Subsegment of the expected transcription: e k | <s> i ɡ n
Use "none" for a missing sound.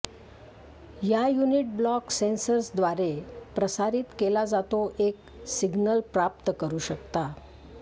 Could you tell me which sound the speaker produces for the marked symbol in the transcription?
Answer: s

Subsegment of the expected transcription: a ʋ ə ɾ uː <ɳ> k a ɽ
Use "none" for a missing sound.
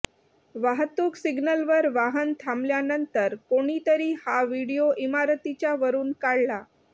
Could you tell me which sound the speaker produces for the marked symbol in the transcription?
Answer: n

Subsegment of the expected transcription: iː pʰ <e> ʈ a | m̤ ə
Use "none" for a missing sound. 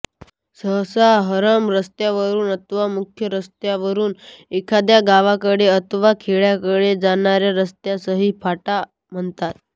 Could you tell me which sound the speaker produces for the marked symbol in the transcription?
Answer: a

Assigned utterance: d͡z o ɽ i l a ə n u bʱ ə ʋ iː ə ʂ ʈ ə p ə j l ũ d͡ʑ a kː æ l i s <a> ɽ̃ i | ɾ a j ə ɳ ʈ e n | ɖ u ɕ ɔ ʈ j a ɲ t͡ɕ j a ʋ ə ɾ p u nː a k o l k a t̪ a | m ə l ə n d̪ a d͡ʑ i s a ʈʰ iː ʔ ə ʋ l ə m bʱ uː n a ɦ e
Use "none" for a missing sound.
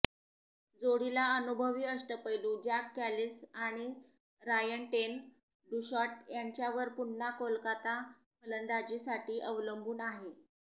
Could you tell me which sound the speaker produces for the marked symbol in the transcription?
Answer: a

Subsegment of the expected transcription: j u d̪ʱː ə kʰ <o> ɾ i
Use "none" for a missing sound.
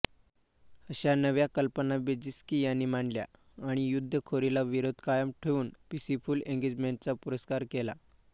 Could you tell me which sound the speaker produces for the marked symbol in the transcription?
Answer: o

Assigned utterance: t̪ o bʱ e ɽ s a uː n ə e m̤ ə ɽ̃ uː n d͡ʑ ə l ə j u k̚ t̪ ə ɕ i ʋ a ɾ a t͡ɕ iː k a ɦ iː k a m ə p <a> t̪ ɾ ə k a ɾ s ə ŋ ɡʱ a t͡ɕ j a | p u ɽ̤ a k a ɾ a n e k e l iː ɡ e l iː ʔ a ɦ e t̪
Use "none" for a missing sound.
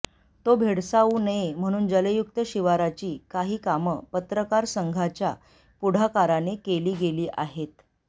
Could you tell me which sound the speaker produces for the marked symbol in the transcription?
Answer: ə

